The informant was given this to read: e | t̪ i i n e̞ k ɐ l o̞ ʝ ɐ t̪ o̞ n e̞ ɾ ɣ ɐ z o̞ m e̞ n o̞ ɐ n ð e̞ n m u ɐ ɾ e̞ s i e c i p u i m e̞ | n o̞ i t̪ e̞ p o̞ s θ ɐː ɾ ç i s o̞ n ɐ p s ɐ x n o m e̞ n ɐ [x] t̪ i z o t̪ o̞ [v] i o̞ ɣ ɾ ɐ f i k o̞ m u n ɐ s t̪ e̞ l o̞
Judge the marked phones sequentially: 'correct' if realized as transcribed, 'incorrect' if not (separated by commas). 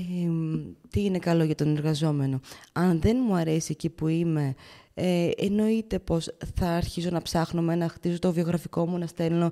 correct, correct